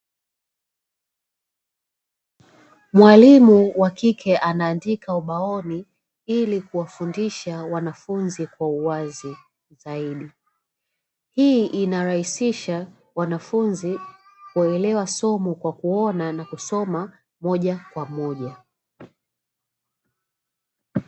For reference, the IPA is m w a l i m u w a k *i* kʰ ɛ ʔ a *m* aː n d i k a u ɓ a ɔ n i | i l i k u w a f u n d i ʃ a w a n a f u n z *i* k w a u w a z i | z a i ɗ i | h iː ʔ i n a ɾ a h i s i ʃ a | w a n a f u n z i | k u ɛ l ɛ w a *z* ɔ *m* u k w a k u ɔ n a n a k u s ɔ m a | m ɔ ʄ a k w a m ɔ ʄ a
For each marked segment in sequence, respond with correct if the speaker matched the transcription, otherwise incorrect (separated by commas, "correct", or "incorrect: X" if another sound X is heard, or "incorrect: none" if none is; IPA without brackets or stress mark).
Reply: correct, incorrect: n, correct, incorrect: s, correct